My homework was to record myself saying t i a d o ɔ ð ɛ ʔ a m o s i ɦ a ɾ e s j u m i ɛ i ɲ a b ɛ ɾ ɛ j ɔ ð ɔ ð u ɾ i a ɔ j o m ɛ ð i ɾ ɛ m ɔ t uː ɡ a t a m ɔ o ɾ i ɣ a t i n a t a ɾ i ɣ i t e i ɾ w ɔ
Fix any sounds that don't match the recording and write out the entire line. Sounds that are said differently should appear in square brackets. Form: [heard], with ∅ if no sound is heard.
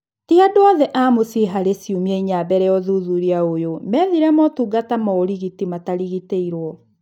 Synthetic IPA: t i a d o ɔ ð ɛ ʔ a m o s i ɦ a ɾ e s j u m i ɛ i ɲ a b ɛ ɾ ɛ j ɔ ð [u] ð u ɾ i a [o] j o m ɛ ð i ɾ ɛ m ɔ t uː ɡ a t a m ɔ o ɾ i ɣ [i] t i [m] a t a ɾ i ɣ i t e i ɾ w ɔ